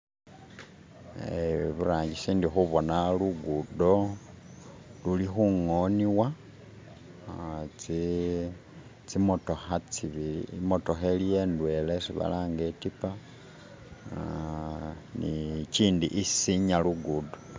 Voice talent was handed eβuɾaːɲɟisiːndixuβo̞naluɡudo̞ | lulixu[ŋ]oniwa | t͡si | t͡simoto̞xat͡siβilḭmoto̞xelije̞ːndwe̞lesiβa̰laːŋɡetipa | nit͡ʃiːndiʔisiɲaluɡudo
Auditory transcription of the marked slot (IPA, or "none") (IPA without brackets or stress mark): ŋ